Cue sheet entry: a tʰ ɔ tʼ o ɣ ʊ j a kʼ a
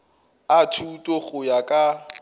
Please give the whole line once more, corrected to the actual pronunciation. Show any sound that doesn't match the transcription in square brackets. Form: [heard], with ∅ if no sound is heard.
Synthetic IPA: a tʰ [u] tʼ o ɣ ʊ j a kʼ a

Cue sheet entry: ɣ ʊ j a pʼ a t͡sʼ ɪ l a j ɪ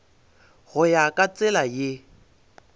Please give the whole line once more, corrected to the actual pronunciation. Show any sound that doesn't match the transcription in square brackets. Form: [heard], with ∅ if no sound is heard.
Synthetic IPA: ɣ ʊ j a [kʼ] a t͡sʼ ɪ l a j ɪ

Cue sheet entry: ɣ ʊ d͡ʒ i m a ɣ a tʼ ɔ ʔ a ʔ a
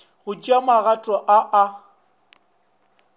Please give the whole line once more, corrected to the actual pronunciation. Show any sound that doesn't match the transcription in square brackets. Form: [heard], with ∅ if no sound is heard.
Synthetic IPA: ɣ ʊ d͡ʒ [a] m a ɣ a tʼ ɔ ʔ a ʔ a

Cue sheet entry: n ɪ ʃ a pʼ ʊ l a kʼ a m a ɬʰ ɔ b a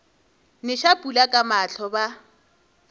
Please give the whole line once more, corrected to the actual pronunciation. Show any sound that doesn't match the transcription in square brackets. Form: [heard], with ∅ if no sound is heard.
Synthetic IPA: n ɪ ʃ a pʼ [u] l a kʼ a m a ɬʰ ɔ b a

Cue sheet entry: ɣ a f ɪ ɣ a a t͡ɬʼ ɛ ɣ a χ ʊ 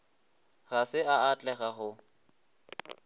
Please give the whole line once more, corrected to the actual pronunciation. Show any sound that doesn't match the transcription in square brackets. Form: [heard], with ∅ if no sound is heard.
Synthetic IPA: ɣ a [s] ɪ [∅] a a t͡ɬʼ ɛ ɣ a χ ʊ

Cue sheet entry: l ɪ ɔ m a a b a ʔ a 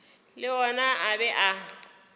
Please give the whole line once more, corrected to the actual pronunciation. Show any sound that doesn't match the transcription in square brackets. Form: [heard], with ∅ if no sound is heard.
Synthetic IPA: l ɪ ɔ [n] a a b [ɛ] ʔ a

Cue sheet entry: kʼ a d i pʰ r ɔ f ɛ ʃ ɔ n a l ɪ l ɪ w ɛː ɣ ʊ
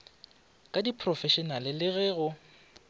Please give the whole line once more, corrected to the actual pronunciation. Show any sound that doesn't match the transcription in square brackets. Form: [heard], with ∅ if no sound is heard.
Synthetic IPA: kʼ a d i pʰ r ɔ f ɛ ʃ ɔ n a l ɪ l ɪ [ɣ] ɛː ɣ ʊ

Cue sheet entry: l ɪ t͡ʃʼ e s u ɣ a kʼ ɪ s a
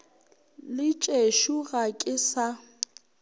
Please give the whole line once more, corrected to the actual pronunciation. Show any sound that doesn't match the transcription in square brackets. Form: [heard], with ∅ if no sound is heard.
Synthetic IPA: l ɪ t͡ʃʼ e [ʃ] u ɣ a kʼ ɪ s a

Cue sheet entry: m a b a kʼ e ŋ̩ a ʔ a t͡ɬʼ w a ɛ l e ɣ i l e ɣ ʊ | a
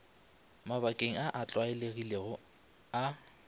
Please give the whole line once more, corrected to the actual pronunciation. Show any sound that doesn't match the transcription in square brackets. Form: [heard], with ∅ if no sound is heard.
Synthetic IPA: m a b a kʼ e ŋ̩ a ʔ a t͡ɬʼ w a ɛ l e ɣ i l e ɣ ʊ | a

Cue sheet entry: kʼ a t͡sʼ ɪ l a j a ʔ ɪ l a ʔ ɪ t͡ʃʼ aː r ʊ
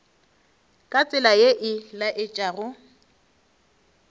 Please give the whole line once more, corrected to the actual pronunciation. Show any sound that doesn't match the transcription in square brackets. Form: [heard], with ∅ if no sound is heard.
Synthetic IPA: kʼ a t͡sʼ ɪ l a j [e] ʔ ɪ l a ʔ ɪ t͡ʃʼ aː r ʊ

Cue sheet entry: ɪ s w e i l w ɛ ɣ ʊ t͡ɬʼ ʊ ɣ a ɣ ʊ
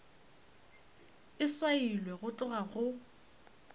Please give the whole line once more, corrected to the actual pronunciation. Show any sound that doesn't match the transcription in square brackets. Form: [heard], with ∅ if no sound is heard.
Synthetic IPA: ɪ s w [a] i l w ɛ ɣ ʊ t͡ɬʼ ʊ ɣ a ɣ ʊ

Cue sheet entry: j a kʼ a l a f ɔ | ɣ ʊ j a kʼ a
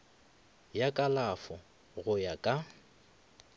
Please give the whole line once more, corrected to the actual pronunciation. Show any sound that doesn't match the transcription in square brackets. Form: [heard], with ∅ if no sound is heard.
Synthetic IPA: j a kʼ a l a f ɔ | ɣ ʊ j a kʼ a

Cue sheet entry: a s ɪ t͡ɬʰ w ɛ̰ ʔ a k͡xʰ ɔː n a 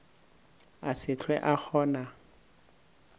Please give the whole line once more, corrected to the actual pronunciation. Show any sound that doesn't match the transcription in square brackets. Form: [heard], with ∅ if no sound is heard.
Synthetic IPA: a s ɪ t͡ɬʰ w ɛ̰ ʔ a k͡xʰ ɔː n a

